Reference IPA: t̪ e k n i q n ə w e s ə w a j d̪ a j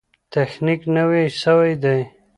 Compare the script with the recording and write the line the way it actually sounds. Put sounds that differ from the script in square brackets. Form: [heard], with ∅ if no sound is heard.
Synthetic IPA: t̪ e [x] n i [k] n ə w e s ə w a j d̪ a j